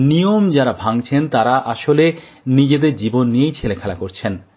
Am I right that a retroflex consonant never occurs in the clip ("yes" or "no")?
yes